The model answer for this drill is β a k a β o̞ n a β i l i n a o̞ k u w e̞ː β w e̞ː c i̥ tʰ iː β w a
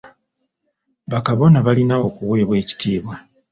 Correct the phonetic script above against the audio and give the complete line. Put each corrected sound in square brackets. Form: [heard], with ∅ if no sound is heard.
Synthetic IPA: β a k a β o̞ n a β [a] l i n a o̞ k u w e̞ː β w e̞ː c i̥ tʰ iː β w a